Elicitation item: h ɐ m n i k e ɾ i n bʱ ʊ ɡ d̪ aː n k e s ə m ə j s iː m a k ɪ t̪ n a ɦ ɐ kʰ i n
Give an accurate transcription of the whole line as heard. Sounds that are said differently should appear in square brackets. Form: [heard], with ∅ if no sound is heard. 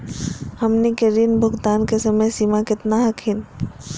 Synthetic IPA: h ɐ m n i k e ɾ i n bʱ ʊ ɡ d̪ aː n k e s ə m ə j s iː m a k ɪ t̪ n a ɦ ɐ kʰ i n